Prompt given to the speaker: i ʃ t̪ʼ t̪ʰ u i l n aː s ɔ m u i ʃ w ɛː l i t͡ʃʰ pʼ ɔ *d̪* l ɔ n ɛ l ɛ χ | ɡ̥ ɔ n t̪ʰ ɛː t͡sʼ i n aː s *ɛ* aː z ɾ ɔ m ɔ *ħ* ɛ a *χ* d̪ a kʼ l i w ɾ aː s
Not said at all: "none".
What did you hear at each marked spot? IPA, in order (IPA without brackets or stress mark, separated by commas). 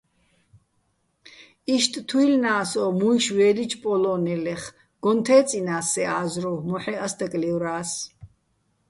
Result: none, ɛ, ħ, s